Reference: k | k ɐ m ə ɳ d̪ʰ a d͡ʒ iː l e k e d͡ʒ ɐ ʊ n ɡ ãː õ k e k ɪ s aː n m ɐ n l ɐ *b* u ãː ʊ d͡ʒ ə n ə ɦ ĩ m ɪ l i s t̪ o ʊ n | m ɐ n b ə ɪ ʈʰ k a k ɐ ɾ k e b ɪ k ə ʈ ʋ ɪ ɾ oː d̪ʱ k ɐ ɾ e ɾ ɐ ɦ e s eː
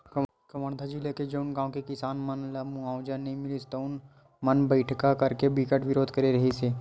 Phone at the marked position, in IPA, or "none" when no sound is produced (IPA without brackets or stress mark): m